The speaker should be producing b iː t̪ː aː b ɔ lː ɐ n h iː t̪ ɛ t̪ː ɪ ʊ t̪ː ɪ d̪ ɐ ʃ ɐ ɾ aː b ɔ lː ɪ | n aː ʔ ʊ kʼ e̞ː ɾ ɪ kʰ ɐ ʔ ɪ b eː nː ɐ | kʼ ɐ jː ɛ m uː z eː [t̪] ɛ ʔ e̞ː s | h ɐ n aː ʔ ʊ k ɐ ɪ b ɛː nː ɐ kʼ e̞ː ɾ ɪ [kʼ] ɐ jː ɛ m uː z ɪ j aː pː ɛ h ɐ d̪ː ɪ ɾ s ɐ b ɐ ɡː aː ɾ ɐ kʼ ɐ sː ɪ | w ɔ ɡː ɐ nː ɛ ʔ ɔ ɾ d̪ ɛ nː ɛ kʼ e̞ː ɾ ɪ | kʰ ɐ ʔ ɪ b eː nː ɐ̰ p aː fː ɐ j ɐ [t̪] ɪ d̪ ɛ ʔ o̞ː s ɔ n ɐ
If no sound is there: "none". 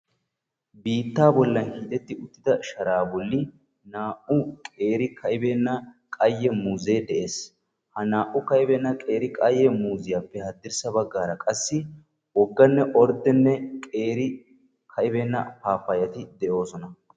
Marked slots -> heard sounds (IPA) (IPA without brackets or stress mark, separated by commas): d̪, kʼ, t̪